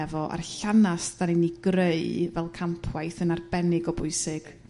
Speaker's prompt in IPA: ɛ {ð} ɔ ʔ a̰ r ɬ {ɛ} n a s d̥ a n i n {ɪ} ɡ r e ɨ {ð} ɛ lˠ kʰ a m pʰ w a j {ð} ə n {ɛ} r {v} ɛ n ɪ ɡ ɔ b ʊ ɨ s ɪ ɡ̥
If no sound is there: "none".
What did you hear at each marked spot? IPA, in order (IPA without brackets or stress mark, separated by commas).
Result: v, a, i, v, θ, a, b